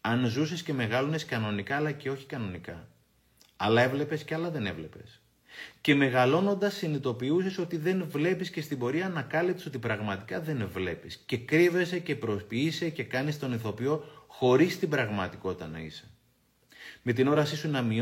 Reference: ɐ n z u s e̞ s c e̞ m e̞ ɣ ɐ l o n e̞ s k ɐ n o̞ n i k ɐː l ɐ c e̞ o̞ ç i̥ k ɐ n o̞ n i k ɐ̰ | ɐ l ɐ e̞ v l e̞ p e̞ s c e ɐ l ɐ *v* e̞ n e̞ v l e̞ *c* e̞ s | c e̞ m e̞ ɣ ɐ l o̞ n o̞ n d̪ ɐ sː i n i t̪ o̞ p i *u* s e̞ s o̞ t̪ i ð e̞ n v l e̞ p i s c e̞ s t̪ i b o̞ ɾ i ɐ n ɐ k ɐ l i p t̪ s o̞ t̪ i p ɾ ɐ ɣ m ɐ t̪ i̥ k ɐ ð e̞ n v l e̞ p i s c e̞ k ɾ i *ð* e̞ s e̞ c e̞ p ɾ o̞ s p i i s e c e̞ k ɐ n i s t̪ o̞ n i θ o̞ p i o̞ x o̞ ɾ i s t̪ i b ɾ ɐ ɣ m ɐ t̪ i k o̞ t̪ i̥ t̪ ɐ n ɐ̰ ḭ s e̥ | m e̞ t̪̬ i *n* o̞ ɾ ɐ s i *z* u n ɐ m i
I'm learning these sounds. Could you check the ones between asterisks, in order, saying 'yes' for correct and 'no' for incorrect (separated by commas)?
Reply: no, no, yes, no, yes, no